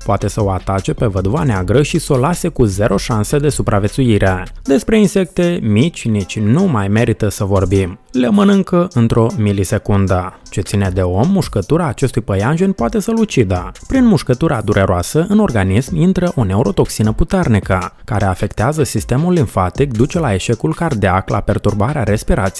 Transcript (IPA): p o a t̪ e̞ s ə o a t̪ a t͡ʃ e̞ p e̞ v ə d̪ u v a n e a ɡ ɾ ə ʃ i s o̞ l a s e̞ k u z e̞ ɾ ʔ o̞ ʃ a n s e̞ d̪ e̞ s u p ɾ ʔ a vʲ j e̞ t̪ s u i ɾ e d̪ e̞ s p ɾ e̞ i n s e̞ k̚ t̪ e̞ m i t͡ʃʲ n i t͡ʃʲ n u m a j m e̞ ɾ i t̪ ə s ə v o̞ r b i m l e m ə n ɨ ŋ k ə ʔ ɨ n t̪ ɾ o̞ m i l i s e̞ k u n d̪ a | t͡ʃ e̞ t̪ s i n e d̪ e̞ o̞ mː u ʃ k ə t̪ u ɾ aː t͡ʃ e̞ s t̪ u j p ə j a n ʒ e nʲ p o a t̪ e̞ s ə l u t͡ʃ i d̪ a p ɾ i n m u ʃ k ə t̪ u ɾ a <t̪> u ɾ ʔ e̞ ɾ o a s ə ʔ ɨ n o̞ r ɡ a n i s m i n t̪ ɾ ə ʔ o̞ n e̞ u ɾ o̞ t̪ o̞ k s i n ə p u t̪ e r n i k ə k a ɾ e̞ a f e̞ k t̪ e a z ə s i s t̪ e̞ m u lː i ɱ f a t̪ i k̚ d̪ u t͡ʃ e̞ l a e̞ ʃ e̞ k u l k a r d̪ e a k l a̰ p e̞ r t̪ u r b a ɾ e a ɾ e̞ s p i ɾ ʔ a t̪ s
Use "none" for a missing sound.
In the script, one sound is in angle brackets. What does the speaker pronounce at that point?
d̪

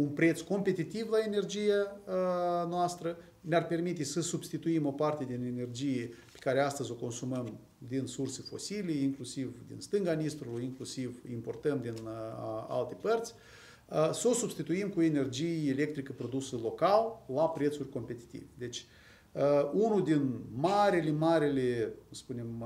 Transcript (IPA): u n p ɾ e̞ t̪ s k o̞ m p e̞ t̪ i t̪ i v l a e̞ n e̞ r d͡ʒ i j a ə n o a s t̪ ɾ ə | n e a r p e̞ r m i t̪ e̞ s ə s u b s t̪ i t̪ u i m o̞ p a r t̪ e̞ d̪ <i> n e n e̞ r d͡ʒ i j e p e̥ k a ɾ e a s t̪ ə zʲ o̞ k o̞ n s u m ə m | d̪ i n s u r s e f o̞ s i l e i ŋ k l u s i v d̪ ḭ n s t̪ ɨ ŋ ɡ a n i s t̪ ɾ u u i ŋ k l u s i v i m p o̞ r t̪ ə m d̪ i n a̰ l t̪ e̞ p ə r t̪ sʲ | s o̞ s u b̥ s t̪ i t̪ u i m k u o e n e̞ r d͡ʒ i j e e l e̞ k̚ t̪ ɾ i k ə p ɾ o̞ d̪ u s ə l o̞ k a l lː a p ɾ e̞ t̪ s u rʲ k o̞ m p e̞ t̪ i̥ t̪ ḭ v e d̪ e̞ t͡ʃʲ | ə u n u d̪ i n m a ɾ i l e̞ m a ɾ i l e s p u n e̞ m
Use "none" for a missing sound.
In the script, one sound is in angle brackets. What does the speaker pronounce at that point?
i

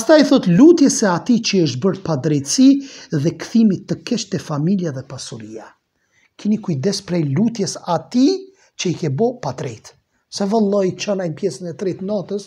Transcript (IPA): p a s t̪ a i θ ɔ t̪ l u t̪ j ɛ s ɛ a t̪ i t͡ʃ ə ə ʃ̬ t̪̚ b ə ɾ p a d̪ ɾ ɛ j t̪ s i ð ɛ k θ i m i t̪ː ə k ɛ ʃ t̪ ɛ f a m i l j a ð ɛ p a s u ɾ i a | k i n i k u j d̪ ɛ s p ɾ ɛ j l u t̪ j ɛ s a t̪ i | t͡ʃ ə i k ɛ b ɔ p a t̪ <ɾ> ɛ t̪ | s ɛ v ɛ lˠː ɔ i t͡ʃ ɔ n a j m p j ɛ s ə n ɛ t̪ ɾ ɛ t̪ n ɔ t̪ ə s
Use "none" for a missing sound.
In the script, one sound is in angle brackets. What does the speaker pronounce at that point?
ɾ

